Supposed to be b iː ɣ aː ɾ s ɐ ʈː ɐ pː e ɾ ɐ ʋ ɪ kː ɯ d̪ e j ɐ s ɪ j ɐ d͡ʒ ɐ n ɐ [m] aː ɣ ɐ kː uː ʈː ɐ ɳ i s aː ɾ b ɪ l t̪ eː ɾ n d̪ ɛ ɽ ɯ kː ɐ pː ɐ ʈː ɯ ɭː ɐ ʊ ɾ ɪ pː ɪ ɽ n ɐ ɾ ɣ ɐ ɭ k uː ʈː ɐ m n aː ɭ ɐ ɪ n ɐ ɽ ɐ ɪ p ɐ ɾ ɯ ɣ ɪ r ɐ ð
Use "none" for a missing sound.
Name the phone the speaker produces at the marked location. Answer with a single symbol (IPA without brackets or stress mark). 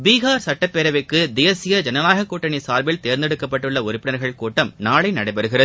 n